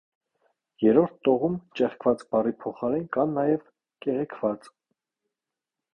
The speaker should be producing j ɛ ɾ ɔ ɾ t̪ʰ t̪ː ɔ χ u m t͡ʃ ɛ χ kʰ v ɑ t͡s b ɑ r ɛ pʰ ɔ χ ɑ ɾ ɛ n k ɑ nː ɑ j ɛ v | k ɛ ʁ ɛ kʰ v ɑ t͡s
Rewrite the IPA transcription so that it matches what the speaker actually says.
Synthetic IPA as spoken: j ɛ ɾ ɔ ɾ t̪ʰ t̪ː ɔ ʁ u m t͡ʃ ɛ χ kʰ v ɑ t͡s b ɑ r i pʰ ɔ χ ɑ ɾ ɛ n k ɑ nː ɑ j ɛ v | k ɛ ʁ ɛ kʰ v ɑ t͡s